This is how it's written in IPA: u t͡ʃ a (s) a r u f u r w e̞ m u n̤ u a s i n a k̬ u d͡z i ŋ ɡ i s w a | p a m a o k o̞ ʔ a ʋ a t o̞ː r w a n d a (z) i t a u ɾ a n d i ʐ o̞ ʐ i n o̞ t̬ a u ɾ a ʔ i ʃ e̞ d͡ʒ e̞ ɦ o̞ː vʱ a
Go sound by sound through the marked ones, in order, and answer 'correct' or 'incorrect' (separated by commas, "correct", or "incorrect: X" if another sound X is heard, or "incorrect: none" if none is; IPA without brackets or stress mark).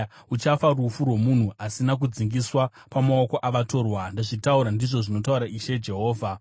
incorrect: f, incorrect: ʐ